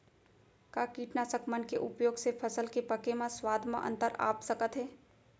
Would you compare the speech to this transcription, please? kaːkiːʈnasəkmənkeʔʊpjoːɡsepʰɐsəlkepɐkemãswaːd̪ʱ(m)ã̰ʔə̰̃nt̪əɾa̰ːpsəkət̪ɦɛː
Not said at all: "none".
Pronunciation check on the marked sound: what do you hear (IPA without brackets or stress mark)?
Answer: m